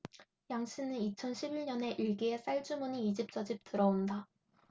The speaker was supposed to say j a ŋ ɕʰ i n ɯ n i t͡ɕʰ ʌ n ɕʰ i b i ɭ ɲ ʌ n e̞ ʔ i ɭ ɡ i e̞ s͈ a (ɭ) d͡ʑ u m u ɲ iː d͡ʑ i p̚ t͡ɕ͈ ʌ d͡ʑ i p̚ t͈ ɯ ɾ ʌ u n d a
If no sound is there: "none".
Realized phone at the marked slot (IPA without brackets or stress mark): ɭ